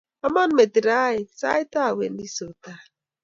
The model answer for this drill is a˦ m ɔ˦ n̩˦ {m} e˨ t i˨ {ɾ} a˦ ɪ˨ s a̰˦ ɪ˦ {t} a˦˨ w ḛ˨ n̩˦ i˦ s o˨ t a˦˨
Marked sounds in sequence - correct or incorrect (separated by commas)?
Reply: correct, correct, correct